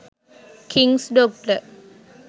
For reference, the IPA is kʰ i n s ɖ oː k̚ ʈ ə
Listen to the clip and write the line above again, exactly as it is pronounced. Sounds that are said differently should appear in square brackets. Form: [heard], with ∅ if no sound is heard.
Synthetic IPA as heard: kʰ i [ŋ] s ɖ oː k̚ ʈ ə